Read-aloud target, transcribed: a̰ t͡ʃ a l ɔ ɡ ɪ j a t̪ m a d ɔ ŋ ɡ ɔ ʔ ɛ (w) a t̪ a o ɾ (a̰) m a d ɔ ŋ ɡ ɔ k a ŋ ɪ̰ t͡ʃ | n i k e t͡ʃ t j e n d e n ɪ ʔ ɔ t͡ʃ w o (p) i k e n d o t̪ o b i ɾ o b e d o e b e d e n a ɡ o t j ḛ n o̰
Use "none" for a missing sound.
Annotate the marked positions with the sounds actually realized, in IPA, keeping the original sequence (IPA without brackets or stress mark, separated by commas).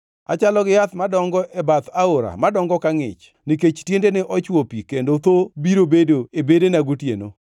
b, a̰, p